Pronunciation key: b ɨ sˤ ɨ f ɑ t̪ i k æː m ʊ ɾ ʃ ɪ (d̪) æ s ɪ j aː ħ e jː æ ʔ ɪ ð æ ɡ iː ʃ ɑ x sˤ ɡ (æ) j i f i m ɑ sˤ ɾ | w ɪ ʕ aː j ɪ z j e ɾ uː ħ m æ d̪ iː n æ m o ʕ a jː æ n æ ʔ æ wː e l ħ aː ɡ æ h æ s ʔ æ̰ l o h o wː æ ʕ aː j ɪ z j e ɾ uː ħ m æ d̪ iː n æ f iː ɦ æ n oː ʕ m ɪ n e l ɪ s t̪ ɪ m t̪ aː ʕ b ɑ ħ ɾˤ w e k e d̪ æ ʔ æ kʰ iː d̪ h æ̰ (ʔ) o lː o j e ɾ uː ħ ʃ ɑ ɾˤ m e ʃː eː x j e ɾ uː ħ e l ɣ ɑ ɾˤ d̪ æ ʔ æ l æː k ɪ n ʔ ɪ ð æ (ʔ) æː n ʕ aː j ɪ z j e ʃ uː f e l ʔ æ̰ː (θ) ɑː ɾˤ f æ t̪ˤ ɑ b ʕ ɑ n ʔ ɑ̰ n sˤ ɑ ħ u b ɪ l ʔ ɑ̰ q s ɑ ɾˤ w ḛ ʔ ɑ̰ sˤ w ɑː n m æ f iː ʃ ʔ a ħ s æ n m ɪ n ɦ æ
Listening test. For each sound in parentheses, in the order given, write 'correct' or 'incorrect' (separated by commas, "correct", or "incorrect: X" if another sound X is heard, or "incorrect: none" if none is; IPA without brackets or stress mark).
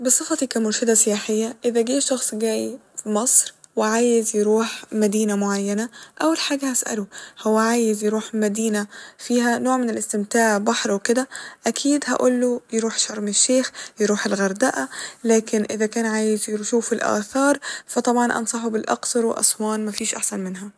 correct, incorrect: æː, correct, incorrect: k, correct